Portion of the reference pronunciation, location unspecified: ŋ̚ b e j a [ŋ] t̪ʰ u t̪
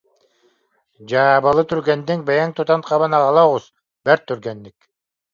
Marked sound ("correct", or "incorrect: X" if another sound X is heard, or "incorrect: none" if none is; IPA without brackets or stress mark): correct